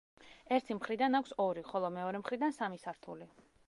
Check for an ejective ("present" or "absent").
absent